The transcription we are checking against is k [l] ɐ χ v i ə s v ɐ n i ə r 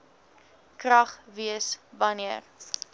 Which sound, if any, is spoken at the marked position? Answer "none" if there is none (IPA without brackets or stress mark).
r